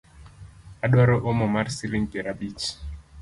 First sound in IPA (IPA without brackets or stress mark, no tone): a